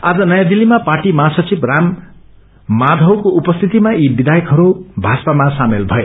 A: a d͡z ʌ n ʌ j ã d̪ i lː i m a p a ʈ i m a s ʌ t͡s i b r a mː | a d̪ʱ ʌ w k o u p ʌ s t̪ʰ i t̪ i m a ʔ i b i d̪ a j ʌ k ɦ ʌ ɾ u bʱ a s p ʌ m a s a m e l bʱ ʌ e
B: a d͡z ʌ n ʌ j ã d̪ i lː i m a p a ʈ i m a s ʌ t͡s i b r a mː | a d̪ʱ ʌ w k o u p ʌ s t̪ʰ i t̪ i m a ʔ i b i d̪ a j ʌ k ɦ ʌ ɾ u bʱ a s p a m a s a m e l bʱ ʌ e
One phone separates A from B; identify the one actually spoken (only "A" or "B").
B